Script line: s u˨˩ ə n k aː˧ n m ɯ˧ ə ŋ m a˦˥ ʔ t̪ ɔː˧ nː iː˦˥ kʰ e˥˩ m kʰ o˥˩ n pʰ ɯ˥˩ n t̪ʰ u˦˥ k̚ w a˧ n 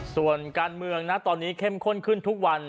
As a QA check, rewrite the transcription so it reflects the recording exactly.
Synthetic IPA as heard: s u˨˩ ə n k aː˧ n m ɯ˧ ə ŋ n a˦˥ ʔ t̪ ɔː˧ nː iː˦˥ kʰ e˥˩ m kʰ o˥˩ n kʰ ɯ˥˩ n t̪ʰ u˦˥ k̚ w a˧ n